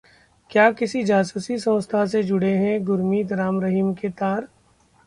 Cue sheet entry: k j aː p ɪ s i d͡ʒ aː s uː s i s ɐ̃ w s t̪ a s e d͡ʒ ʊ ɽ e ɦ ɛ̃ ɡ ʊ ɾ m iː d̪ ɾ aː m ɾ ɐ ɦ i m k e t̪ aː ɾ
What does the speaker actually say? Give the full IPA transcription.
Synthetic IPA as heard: k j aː k ɪ s i d͡ʒ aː s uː s i s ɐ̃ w s t̪ʰ a s e d͡ʒ ʊ ɽ e ɦ ɛ̃ ɡ ʊ ɾ m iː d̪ ɾ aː m ɾ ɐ ɦ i m k e t̪ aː ɾ